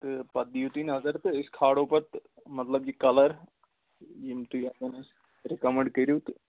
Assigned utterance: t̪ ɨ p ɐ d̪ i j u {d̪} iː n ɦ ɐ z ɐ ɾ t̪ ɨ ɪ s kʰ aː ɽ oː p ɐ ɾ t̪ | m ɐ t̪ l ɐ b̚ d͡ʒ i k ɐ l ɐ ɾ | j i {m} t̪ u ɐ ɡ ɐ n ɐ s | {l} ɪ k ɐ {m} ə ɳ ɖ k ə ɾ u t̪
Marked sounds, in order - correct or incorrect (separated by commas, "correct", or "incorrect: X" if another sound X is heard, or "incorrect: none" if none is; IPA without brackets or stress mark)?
incorrect: t̪, correct, incorrect: ɾ, correct